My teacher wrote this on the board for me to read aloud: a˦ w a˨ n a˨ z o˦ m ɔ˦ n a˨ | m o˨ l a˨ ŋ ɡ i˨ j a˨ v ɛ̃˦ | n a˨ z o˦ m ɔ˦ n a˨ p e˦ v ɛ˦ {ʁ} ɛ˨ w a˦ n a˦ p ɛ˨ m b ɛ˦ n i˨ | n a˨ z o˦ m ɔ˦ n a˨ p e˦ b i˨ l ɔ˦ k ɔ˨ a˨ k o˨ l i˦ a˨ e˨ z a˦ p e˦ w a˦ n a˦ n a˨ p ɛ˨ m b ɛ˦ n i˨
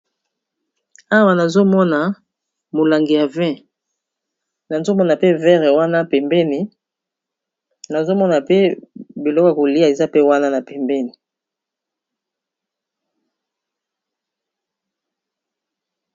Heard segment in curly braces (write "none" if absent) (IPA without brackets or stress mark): ʁ